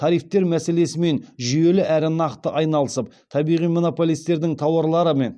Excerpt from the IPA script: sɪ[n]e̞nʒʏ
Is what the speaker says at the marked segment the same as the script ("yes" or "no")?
no